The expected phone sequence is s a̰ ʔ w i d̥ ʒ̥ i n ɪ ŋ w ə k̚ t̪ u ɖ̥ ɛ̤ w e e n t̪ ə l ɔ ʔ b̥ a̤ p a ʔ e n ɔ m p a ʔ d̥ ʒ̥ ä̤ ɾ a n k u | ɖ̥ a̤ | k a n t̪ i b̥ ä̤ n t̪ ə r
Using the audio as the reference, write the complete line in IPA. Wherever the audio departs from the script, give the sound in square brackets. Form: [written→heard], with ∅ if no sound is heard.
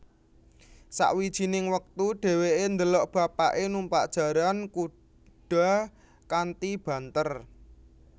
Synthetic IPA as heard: s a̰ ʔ w i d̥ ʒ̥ i n ɪ ŋ w ə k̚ t̪ u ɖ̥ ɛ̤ w e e n [t̪→d̪] ə l ɔ ʔ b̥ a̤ p a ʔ e n [ɔ→u] m p a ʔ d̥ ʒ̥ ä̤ ɾ a n k u | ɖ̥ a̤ | k a n t̪ i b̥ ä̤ n t̪ ə r